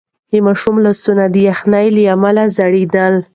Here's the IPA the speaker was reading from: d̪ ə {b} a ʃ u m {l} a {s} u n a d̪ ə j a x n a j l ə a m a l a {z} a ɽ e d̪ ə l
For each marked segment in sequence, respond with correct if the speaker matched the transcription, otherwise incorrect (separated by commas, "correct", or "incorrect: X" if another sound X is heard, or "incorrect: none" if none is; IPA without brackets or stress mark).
incorrect: m, correct, correct, correct